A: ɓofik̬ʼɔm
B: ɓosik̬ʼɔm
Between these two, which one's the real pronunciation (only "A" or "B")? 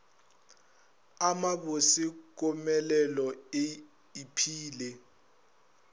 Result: B